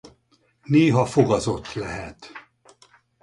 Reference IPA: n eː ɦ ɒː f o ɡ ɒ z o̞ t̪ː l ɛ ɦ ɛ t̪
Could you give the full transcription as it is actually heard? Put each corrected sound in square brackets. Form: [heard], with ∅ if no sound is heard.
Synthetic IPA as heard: n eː ɦ [ɒ] f o ɡ ɒ z o̞ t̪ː l ɛ ɦ ɛ t̪

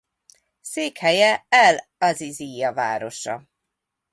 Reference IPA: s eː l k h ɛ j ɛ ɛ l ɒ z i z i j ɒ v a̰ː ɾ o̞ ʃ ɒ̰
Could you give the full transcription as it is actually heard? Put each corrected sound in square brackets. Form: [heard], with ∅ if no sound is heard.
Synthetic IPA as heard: s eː [∅] k h ɛ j ɛ ɛ l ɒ z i z i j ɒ v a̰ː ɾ o̞ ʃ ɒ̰

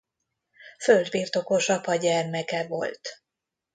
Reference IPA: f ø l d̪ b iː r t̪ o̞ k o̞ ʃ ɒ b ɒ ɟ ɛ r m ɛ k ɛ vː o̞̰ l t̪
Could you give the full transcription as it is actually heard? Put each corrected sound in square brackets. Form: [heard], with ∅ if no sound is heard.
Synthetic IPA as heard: f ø l d̪ b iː r t̪ o̞ k o̞ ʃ ɒ [p] ɒ ɟ ɛ r m ɛ k ɛ [v] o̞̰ l t̪

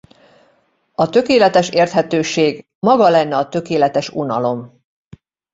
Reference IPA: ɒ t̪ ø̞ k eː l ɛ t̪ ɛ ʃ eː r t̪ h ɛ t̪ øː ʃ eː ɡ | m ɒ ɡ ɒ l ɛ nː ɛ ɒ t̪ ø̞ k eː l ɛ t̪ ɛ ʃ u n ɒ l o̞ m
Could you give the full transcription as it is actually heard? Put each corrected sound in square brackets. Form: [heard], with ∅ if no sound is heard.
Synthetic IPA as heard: ɒ t̪ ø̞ k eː l ɛ t̪ ɛ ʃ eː r t̪ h ɛ t̪ øː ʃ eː ɡ | m ɒ ɡ ɒ l ɛ nː ɛ ɒ t̪ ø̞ k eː l ɛ t̪ ɛ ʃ u n ɒ l o̞ m

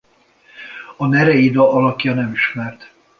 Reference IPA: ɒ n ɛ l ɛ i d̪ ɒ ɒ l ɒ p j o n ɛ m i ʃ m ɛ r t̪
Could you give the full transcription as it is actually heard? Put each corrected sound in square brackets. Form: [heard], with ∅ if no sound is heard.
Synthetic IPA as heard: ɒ n ɛ [ɾ] ɛ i d̪ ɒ ɒ l ɒ [k] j [ɒ] n ɛ m i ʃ m ɛ r t̪

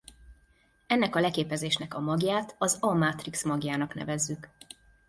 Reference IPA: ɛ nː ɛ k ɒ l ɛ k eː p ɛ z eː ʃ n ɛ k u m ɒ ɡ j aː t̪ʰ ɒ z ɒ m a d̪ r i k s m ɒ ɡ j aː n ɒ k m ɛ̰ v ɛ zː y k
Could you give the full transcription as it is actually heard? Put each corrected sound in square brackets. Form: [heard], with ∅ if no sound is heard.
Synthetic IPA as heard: ɛ nː ɛ k ɒ l ɛ k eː p ɛ z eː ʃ n ɛ k [ɒ] m ɒ ɡ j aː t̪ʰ ɒ z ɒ m a [t̪] r i k s m ɒ ɡ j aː n ɒ k [n] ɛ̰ v ɛ zː y k

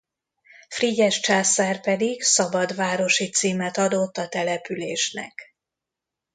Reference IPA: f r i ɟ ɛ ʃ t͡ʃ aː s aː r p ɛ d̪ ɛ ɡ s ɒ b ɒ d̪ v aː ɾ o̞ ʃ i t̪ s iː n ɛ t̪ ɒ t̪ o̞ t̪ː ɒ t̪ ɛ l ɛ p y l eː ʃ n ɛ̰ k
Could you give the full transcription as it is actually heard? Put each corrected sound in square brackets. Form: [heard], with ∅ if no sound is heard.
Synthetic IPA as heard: f r i ɟ ɛ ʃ t͡ʃ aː s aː r p ɛ d̪ [i] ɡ s ɒ b ɒ d̪ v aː ɾ o̞ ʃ i t̪ s iː [m] ɛ t̪ ɒ [d̪] o̞ t̪ː ɒ t̪ ɛ l ɛ p y l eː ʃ n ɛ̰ k

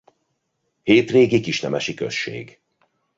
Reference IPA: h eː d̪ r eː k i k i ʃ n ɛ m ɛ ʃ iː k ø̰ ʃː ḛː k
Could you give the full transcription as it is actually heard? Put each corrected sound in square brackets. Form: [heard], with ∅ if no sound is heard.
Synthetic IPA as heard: h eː [t̪] r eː [ɡ] i k i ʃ n ɛ m ɛ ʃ [i] k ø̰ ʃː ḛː [ɡ]

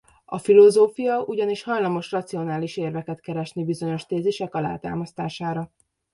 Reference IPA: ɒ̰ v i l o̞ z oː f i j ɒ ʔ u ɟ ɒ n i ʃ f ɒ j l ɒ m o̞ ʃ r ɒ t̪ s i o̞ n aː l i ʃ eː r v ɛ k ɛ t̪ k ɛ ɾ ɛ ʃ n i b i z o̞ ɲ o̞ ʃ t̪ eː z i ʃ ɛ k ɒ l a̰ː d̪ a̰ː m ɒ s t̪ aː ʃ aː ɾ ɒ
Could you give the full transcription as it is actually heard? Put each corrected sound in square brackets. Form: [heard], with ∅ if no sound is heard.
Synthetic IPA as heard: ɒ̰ [f] i l o̞ z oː f i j ɒ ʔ u ɟ ɒ n i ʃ [h] ɒ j l ɒ m o̞ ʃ r ɒ t̪ s i o̞ n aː l i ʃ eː r v ɛ k ɛ t̪ k ɛ ɾ ɛ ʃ n i b i z o̞ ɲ o̞ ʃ t̪ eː z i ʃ ɛ k ɒ l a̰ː [t̪] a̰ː m ɒ s t̪ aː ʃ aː ɾ ɒ

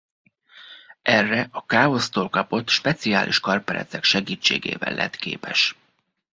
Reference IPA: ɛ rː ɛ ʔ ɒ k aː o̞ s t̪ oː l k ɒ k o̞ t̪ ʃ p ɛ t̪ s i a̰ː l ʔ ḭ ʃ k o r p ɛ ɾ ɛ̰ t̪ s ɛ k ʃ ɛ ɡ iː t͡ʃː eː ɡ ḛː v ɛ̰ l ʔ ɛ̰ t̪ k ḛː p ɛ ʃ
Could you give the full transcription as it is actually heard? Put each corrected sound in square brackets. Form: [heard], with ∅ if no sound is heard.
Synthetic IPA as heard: ɛ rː ɛ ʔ ɒ k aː o̞ s t̪ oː l k ɒ [p] o̞ t̪ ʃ p ɛ t̪ s i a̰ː l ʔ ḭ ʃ k [ɒ] r p ɛ ɾ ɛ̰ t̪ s ɛ k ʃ ɛ ɡ iː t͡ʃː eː ɡ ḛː v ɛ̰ l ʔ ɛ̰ t̪ k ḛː p ɛ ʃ

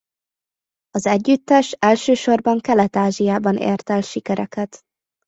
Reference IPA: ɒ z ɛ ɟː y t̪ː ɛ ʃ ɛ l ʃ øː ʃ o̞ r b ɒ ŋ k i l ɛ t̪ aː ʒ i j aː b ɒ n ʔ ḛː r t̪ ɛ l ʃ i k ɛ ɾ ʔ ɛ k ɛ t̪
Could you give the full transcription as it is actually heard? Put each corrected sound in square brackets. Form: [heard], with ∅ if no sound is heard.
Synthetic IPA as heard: ɒ z ɛ ɟː y t̪ː ɛ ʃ ɛ l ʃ øː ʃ o̞ r b ɒ ŋ k [ɛ] l ɛ t̪ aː ʒ i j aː b ɒ n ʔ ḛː r t̪ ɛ l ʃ i k ɛ ɾ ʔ ɛ k ɛ t̪

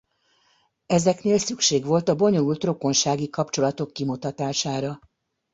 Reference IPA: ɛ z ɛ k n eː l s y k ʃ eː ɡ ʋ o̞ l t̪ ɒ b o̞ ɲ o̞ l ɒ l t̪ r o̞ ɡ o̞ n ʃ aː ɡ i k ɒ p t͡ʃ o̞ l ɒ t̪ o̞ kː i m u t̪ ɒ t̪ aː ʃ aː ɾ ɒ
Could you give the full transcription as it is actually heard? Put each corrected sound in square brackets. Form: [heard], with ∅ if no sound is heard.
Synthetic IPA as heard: ɛ z ɛ k n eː l s y k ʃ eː ɡ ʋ o̞ l t̪ ɒ b o̞ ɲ o̞ l [u] l t̪ r o̞ [k] o̞ n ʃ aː ɡ i k ɒ p t͡ʃ o̞ l ɒ t̪ o̞ kː i m u t̪ ɒ t̪ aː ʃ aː ɾ ɒ

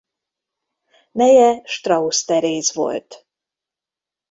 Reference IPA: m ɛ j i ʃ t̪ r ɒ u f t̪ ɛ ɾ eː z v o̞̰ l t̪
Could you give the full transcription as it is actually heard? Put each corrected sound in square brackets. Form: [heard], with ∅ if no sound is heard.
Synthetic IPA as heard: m ɛ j [ɛ] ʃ t̪ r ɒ u [s] t̪ ɛ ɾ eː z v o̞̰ l t̪

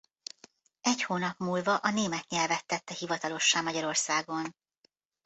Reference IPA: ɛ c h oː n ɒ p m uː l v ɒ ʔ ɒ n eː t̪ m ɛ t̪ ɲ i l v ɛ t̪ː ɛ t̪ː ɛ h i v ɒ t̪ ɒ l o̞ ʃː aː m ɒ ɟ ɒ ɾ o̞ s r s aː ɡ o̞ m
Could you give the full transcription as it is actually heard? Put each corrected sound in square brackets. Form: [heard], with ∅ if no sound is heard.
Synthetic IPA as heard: ɛ c h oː n ɒ p m uː l v ɒ ʔ ɒ n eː [∅] m ɛ t̪ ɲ [ɛ] l v ɛ t̪ː ɛ t̪ː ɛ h i v ɒ t̪ ɒ l o̞ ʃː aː m ɒ ɟ ɒ ɾ o̞ [∅] r s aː ɡ o̞ [n]

